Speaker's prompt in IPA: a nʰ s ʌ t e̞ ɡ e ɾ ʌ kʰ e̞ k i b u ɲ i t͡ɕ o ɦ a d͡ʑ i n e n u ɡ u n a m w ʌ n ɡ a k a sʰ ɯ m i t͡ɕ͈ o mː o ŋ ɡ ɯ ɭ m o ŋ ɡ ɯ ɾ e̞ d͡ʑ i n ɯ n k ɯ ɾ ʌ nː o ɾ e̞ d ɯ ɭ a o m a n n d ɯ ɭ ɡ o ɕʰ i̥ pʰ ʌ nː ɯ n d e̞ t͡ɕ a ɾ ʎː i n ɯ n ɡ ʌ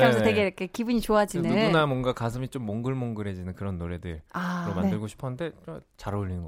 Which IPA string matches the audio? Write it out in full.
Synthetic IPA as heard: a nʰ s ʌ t e̞ ɡ e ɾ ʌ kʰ e̞ k i b u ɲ i t͡ɕ o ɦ a d͡ʑ i n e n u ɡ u n a m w ʌ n ɡ a k a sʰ ɯ m i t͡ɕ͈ o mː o ŋ ɡ ɯ ɭ m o ŋ ɡ ɯ ɾ e̞ d͡ʑ i n ɯ n k ɯ ɾ ʌ nː o ɾ e̞ d ɯ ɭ a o m a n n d ɯ ɭ ɡ o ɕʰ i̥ pʰ ʌ n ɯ n d e̞ t͡ɕ a ɾ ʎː i n ɯ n ɡ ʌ